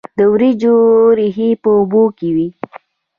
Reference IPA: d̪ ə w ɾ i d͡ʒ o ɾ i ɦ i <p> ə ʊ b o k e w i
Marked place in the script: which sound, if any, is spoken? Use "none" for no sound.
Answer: p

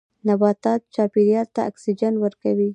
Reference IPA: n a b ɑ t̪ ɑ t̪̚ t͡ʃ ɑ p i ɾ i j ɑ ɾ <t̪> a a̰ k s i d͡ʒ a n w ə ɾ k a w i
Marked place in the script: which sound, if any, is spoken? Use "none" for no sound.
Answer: t̪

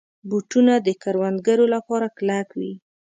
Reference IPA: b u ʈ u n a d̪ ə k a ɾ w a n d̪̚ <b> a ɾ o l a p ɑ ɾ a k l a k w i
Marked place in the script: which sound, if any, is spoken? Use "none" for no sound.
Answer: ɡ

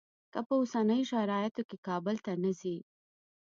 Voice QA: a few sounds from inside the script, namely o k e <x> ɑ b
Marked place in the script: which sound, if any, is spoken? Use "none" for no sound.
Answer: k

